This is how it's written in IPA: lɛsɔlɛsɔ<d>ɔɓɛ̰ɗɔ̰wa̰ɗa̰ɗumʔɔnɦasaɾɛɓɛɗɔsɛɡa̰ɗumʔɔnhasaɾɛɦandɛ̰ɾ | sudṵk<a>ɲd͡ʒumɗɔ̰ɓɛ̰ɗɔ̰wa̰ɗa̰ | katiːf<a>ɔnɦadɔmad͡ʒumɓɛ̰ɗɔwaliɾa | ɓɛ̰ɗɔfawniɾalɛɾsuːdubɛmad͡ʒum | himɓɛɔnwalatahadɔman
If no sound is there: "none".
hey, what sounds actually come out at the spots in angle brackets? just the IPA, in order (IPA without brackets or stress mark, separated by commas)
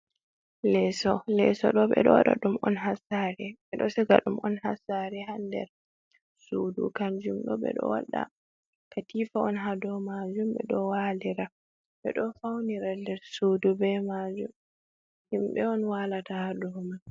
ɗ, a, a